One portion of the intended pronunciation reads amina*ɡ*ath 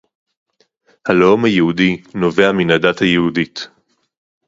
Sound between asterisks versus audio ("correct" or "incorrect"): incorrect